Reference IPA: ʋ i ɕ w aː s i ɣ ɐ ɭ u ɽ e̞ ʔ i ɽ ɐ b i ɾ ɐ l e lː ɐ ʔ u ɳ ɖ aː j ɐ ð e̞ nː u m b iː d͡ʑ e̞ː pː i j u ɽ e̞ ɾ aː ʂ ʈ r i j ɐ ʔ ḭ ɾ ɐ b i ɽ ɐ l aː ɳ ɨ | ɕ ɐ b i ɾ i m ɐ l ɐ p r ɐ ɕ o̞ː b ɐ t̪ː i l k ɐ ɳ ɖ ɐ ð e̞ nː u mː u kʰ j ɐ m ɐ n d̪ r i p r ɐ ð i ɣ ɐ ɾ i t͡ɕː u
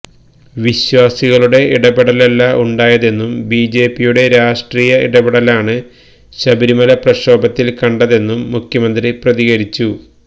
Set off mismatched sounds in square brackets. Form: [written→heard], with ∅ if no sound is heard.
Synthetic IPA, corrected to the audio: ʋ i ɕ w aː s i ɣ ɐ ɭ u ɽ e̞ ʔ i ɽ ɐ b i [ɾ→ɽ] ɐ l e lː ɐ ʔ u ɳ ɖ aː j ɐ ð e̞ nː u m b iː d͡ʑ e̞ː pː i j u ɽ e̞ ɾ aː ʂ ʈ r [i→iː] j ɐ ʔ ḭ [ɾ→ɽ] ɐ b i ɽ ɐ l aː ɳ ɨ | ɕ ɐ b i ɾ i m ɐ l ɐ p r ɐ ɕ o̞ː b ɐ t̪ː i l k ɐ ɳ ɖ ɐ ð e̞ nː u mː u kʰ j ɐ m ɐ n d̪ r i p r ɐ ð i ɣ ɐ ɾ i t͡ɕː u

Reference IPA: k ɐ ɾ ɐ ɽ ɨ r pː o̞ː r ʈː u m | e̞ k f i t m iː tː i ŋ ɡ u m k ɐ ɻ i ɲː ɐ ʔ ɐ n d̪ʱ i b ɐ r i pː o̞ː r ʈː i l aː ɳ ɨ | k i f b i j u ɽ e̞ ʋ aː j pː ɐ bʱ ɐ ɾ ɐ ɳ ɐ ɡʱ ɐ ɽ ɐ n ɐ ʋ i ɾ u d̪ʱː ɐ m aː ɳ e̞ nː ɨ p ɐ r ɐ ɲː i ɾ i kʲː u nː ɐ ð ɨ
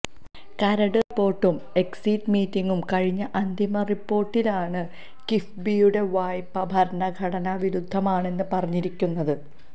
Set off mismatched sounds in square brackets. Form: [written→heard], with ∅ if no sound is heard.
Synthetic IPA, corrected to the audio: k ɐ ɾ ɐ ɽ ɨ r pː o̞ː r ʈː u m | e̞ k [f→s] i t m iː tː i ŋ ɡ u m k ɐ ɻ i ɲː ɐ ʔ ɐ n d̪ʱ i [b→m] ɐ r i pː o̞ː r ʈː i l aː ɳ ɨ | k i f b i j u ɽ e̞ ʋ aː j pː ɐ bʱ ɐ ɾ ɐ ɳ ɐ ɡʱ ɐ ɽ ɐ n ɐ ʋ i ɾ u d̪ʱː ɐ m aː ɳ e̞ nː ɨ p ɐ r ɐ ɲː i ɾ i kʲː u nː ɐ ð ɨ

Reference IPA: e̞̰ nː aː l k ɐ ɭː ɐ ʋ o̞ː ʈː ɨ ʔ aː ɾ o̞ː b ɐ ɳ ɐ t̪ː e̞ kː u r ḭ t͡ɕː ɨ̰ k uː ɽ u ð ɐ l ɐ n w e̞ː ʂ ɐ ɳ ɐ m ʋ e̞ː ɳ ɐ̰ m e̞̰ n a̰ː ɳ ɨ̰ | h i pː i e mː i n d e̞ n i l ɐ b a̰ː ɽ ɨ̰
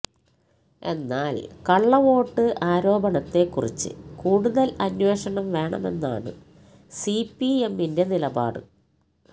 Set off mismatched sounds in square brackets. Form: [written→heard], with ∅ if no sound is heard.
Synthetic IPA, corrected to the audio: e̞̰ nː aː l k ɐ ɭː ɐ ʋ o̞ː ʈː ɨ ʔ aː ɾ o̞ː b ɐ ɳ ɐ t̪ː e̞ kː u r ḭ t͡ɕː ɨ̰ k uː ɽ u ð ɐ l ɐ n w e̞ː ʂ ɐ ɳ ɐ m ʋ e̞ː ɳ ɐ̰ m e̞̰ [n→nː] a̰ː ɳ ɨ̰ | [h→s] i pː i e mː i n d e̞ n i l ɐ b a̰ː ɽ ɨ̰

